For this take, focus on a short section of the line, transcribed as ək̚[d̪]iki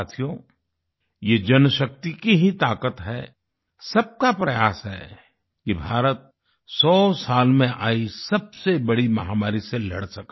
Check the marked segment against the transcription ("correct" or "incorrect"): incorrect